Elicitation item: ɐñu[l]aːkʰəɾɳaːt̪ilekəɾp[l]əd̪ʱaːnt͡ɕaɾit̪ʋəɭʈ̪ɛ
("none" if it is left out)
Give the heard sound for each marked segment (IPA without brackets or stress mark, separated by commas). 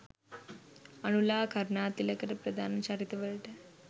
l, ɾ